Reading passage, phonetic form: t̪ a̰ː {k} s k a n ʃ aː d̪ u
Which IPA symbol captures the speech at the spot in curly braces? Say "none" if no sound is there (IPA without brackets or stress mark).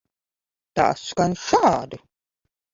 none